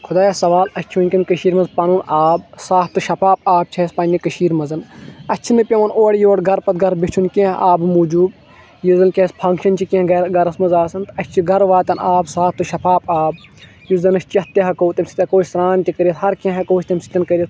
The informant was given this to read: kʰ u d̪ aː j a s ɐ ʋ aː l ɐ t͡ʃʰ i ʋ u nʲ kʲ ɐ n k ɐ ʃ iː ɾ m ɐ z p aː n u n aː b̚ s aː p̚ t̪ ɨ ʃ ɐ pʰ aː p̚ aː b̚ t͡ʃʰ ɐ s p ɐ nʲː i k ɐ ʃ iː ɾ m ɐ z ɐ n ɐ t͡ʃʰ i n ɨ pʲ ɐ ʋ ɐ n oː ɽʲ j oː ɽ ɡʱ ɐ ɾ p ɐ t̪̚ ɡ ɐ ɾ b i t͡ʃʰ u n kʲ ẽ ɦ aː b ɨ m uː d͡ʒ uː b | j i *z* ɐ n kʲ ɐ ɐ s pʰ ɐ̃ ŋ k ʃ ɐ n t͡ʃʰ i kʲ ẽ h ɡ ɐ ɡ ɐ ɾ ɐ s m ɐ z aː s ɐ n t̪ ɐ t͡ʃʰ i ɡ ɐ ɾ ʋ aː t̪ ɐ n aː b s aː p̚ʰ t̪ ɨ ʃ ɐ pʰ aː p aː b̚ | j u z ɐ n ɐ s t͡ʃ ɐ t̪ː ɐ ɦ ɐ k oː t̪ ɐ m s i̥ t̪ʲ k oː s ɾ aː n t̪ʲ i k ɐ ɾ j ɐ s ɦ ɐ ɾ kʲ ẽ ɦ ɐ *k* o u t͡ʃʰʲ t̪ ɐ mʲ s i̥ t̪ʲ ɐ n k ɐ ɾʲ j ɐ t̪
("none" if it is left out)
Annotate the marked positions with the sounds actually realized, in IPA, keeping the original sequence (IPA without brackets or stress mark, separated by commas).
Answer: z, k